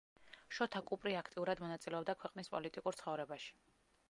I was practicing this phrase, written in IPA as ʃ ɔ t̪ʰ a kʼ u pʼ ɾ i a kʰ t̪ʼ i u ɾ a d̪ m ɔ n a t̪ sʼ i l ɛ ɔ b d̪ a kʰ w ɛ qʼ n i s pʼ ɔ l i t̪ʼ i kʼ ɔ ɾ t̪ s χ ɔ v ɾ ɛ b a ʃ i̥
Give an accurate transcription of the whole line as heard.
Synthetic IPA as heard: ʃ ɔ t̪ʰ a kʼ u pʼ ɾ i a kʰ t̪ʼ i u ɾ a d̪ m ɔ n a t̪ sʼ i l ɛ ɔ b d̪ a kʰ w ɛ qʼ n i s pʼ ɔ l i t̪ʼ i kʼ u ɾ t̪ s χ ɔ v ɾ ɛ b a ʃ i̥